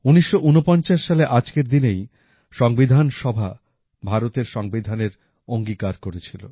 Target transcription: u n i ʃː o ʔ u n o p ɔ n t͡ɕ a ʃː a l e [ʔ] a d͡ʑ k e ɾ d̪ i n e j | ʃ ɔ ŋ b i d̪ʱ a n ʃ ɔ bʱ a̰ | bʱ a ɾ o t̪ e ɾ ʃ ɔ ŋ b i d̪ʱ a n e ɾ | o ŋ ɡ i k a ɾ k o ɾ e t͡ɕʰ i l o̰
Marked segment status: correct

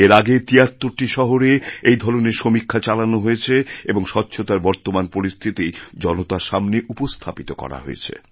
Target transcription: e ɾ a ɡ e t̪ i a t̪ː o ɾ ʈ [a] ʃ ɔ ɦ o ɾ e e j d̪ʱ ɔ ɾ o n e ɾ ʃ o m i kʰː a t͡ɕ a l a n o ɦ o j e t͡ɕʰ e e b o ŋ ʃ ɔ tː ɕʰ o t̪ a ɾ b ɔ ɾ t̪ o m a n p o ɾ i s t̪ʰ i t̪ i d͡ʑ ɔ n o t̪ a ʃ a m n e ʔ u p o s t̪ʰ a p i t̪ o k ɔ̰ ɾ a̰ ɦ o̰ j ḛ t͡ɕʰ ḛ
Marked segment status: incorrect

